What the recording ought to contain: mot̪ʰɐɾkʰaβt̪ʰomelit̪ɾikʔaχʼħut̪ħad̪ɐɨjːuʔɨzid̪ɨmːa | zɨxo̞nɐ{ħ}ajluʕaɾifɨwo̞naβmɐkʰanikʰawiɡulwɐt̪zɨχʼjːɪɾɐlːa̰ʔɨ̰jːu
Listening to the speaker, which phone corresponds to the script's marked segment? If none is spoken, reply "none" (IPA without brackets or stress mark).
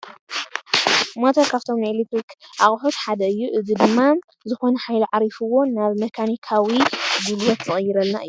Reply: ħ